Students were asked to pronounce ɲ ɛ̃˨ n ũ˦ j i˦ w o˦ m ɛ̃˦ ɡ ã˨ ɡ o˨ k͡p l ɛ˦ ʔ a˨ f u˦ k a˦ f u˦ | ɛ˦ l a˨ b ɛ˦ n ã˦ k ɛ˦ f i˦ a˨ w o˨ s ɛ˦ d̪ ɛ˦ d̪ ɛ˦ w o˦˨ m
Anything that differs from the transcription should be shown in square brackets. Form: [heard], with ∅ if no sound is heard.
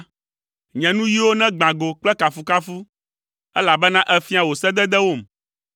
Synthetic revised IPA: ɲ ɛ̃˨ n ũ˦ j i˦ w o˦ [n] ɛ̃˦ [ɡ͡b] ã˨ ɡ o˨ k͡p l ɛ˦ [k] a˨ f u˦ k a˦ f u˦ | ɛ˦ l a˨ b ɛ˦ n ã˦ [ʔ] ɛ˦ f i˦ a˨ w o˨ s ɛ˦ d̪ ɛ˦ d̪ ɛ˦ w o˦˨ m